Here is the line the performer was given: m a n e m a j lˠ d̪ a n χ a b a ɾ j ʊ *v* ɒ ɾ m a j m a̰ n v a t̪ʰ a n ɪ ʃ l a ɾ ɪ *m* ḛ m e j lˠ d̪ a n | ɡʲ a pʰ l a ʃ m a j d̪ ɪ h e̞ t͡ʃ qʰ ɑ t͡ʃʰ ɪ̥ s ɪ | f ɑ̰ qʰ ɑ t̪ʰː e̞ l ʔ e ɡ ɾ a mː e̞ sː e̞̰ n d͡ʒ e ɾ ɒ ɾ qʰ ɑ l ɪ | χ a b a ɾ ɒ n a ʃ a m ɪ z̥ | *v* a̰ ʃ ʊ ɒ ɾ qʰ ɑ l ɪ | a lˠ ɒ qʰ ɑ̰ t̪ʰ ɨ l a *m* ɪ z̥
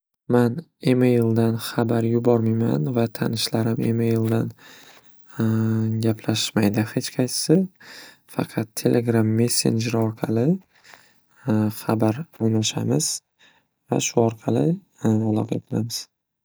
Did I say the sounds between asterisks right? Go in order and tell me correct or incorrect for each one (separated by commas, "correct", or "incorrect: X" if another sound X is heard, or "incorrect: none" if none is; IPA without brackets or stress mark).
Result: incorrect: b, correct, correct, correct